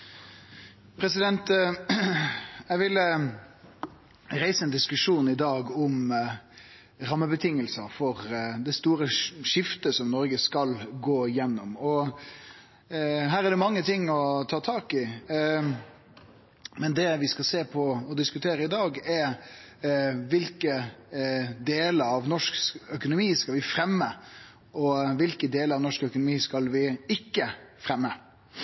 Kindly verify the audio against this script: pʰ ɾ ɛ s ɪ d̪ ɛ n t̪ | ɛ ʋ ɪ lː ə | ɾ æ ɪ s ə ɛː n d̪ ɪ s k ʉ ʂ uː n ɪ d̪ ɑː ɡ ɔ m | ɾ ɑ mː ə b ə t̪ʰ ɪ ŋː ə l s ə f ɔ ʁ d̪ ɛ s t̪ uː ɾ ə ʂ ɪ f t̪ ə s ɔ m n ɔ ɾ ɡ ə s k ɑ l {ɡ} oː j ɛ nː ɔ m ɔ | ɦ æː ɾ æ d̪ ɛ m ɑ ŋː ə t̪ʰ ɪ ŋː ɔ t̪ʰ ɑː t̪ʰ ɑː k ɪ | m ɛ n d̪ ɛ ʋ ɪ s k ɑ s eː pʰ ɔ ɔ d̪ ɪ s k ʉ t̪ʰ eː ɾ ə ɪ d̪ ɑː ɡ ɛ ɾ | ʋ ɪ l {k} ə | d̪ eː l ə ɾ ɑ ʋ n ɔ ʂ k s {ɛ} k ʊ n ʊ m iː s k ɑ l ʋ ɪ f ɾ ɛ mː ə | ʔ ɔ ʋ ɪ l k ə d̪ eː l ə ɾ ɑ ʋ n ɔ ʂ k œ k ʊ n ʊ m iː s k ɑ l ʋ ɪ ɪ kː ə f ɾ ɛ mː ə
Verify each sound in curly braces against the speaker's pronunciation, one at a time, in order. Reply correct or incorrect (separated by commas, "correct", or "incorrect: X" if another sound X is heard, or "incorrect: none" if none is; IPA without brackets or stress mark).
correct, correct, incorrect: œ